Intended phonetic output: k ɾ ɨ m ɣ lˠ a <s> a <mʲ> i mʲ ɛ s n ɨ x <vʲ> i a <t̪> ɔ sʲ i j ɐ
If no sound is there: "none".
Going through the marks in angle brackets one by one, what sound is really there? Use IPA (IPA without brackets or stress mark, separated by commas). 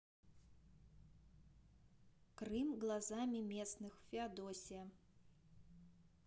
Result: z, mʲ, fʲ, d̪